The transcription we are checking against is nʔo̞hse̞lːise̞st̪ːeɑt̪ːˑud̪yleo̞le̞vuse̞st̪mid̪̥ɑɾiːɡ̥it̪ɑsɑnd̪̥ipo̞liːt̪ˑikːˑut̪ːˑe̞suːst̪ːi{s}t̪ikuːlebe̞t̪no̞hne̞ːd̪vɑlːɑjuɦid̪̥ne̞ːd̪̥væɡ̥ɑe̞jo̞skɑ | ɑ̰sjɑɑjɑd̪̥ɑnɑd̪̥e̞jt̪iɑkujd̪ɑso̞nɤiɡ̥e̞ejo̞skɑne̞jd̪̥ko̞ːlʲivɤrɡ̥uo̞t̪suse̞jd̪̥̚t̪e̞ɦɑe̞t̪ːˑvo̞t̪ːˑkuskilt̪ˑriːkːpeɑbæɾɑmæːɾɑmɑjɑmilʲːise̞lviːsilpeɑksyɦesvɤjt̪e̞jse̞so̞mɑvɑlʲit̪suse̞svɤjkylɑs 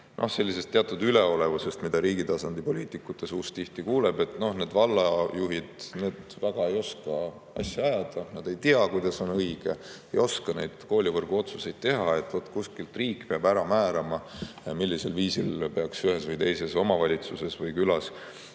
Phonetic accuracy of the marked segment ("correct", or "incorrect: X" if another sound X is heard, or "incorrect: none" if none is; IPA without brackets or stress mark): incorrect: h